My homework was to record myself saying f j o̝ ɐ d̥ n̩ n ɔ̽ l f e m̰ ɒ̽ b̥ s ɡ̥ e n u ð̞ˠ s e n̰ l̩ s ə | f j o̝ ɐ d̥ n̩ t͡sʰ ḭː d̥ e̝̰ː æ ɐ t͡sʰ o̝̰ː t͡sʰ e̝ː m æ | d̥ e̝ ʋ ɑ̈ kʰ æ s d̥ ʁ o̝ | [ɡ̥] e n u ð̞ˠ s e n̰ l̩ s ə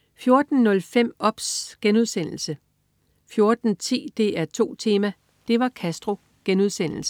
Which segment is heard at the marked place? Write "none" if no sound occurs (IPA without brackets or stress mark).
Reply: ɡ̥